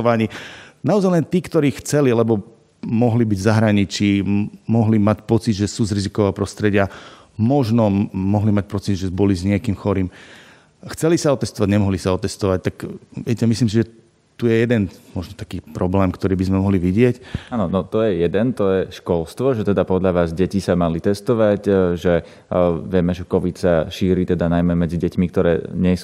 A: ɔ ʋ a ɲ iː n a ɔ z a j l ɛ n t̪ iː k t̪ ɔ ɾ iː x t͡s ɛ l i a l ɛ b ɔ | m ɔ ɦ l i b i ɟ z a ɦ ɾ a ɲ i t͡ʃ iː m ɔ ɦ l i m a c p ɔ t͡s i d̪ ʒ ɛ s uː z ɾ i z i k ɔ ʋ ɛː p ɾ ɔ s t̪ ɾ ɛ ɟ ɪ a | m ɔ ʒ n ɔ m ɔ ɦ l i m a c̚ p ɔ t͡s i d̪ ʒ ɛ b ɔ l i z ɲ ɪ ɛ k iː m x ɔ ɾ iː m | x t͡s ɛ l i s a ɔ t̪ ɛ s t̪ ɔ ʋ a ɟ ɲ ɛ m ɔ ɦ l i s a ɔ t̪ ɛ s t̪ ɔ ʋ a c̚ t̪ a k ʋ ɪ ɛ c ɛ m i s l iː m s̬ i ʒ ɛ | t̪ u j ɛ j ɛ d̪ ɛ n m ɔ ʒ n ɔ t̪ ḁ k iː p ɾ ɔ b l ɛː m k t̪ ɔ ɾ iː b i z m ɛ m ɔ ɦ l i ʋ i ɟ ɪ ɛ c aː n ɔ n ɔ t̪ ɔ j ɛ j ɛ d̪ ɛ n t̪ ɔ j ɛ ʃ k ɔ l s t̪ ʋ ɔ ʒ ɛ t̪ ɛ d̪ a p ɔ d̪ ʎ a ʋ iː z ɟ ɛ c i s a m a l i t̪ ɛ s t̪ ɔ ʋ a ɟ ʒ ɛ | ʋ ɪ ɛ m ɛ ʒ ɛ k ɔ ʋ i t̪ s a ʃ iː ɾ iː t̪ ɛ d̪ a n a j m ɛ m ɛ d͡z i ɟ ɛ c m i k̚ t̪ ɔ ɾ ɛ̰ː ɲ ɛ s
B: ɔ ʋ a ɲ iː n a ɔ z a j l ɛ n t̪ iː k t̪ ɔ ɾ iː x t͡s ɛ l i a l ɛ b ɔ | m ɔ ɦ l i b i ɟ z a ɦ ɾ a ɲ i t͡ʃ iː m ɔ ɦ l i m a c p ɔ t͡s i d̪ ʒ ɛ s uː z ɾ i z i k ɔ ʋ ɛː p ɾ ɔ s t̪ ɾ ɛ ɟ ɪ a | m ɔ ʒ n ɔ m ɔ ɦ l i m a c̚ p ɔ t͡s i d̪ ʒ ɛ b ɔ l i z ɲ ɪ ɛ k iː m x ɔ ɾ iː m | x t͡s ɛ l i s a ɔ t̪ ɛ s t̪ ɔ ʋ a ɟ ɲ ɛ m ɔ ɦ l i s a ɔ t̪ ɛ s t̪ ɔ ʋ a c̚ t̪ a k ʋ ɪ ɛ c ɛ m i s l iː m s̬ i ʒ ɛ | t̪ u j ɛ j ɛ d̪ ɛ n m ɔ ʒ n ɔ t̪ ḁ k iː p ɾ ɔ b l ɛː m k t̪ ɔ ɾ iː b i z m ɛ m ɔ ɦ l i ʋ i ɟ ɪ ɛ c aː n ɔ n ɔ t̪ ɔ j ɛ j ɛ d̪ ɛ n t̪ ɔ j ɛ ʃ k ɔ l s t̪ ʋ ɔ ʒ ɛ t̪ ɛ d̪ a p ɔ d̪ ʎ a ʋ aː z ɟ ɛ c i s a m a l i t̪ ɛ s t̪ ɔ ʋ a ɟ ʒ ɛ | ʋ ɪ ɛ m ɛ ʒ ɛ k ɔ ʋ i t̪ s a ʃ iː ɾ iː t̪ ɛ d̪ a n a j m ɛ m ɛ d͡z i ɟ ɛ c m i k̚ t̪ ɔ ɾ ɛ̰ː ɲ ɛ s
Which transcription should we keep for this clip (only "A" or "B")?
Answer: B